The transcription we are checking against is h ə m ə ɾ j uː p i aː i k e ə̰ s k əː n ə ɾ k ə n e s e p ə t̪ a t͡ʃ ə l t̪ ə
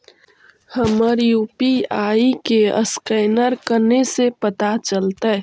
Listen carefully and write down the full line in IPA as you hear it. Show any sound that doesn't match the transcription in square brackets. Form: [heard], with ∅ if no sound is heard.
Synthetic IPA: h ə m ə ɾ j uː p i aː i k e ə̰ s k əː n ə ɾ k ə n e s e p ə t̪ a t͡ʃ ə l t̪ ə